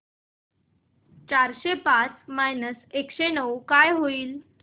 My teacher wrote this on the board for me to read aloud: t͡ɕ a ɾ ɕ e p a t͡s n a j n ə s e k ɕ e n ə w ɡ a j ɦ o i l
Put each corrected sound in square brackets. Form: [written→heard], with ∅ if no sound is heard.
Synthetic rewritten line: t͡ɕ a ɾ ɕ e p a t͡s [n→m] a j n ə s e k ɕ e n ə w [ɡ→k] a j ɦ o [i→iː] l